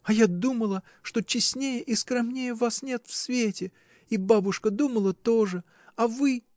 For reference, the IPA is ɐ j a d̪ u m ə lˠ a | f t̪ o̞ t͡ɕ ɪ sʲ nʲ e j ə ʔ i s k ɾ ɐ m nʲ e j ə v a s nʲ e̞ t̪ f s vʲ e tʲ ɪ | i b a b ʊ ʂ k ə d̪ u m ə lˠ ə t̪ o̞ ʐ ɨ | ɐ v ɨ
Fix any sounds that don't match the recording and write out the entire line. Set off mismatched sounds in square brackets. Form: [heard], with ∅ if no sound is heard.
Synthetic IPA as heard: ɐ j a d̪ u m ə lˠ [ə] | [ʂ] t̪ o̞ t͡ɕ ɪ sʲ nʲ e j ə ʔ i s k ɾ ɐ m nʲ e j ə v a s nʲ e̞ t̪ f s vʲ e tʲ ɪ | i b a b ʊ ʂ k ə d̪ u m ə lˠ ə t̪ o̞ ʐ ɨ | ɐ v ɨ